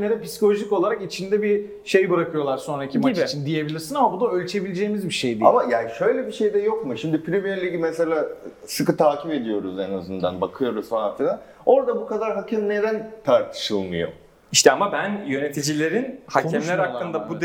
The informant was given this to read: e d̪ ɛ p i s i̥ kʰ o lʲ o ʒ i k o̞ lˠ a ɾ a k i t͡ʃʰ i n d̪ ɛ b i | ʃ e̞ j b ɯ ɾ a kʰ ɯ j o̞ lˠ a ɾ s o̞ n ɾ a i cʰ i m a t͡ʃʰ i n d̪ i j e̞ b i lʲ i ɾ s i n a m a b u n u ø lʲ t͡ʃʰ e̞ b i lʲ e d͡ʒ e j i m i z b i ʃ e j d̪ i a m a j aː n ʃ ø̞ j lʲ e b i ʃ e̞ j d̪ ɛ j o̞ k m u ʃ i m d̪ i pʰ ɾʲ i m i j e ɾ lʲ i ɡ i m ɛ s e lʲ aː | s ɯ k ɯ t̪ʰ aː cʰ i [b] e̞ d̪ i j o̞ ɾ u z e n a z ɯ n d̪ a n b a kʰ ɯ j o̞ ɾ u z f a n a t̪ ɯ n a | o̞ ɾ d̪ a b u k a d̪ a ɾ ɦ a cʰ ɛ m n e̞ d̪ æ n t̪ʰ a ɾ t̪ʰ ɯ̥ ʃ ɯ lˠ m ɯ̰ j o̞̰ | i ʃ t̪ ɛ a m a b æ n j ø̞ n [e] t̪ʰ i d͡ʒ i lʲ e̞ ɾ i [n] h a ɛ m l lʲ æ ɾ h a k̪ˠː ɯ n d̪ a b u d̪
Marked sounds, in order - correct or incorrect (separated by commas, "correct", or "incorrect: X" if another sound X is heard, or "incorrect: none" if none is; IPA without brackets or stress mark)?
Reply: incorrect: p, correct, correct